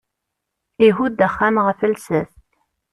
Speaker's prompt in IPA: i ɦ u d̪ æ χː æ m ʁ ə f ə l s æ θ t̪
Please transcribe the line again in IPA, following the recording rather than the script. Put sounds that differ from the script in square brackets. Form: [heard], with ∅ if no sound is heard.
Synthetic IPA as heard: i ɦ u d̪ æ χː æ m ʁ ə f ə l s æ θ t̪